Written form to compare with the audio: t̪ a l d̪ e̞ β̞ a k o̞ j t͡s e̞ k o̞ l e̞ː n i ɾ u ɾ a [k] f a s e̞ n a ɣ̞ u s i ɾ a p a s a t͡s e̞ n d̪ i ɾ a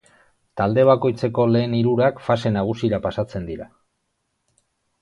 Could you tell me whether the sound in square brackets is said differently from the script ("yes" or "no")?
no